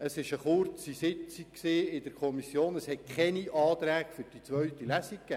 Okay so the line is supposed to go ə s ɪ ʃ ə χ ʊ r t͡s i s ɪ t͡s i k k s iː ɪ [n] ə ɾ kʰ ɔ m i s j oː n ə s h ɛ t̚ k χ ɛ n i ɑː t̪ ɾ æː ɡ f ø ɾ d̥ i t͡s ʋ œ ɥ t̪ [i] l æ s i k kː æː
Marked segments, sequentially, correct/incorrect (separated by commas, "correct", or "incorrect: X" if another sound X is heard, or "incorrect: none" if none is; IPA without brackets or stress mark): incorrect: d, correct